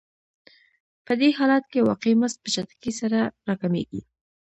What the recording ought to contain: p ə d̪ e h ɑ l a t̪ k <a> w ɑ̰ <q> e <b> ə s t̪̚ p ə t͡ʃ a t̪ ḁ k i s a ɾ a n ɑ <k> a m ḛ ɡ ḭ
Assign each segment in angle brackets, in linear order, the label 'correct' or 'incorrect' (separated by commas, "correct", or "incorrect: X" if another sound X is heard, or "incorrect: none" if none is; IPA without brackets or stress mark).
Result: incorrect: e, correct, incorrect: m, correct